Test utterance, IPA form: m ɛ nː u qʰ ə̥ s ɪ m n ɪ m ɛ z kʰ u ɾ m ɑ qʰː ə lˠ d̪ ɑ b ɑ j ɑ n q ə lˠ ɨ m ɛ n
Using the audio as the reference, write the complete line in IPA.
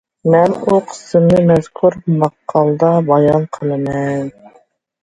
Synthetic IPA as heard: m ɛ n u qʰ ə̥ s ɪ m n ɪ m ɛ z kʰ u ɾ m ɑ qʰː ɑ lˠ d̪ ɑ b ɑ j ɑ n qʰ ə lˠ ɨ m ɛ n